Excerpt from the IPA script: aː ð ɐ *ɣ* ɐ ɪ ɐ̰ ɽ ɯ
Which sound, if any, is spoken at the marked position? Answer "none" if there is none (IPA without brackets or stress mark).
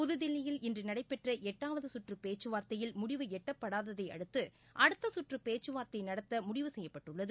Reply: ð